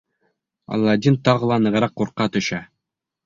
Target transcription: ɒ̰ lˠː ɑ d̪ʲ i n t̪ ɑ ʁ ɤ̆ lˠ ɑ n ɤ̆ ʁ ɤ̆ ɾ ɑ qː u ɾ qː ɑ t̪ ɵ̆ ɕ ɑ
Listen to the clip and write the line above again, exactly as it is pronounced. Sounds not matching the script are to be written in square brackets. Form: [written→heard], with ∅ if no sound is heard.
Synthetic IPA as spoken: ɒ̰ lˠː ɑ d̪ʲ i n t̪ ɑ ʁ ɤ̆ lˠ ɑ n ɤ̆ ʁ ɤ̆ ɾ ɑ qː u ɾ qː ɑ t̪ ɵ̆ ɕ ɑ